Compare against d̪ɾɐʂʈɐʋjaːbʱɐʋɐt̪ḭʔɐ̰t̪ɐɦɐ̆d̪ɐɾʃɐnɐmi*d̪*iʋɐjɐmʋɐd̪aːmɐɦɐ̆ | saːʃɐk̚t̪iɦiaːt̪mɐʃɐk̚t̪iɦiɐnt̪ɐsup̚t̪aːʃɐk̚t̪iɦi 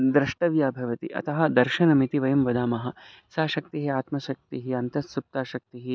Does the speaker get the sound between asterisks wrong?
yes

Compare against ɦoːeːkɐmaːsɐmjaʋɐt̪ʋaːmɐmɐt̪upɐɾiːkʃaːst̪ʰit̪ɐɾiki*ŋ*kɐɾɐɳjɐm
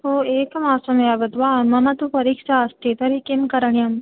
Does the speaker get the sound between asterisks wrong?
yes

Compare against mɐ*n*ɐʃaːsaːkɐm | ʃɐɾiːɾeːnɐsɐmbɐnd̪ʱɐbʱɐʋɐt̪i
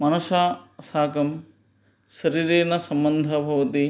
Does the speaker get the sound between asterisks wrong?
no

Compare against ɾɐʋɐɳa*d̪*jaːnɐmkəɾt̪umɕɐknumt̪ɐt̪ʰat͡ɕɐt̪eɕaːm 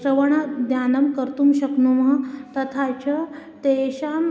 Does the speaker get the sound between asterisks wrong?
no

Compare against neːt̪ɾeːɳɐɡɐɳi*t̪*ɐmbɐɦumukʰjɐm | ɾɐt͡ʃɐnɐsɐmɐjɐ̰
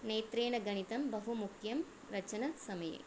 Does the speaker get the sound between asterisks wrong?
no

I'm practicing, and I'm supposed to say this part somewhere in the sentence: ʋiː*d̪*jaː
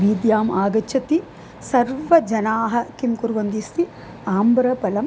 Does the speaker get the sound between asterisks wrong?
no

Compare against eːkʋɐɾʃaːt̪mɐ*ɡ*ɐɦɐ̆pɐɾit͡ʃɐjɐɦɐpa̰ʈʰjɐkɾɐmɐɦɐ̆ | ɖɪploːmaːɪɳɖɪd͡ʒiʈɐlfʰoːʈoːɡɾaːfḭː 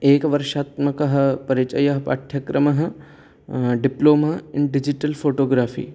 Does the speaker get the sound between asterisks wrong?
yes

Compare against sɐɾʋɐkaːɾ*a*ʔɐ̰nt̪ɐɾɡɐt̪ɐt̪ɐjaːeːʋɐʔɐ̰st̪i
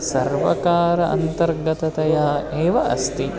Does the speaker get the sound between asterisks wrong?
yes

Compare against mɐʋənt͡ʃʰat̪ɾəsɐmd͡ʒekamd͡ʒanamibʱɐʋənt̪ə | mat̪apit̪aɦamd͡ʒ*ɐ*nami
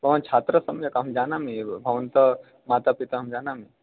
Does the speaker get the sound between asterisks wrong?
yes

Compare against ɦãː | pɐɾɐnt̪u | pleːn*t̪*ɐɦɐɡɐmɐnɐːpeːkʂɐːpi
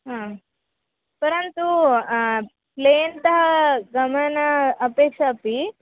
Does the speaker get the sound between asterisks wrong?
no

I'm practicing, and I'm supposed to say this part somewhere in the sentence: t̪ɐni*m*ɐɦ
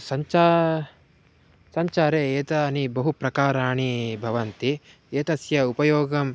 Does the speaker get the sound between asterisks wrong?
yes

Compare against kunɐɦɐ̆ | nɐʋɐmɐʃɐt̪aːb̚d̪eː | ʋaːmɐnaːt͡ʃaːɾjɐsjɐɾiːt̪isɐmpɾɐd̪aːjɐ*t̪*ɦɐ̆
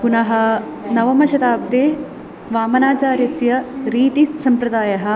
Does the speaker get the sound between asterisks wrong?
yes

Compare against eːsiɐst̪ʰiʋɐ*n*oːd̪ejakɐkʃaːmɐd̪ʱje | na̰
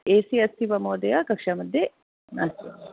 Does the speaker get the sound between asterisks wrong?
yes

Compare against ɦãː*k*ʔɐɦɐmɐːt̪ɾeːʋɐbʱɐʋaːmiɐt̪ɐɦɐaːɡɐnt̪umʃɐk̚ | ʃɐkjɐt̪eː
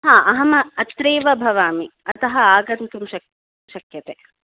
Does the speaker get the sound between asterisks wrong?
yes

